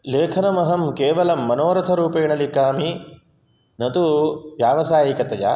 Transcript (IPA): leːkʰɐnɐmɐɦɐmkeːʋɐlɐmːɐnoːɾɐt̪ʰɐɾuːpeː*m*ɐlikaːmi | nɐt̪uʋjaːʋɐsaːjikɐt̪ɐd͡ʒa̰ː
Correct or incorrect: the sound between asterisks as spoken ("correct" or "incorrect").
incorrect